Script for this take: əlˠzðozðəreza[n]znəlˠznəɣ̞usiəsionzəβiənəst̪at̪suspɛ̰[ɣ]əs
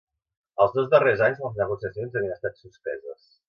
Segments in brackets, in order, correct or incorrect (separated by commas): incorrect, incorrect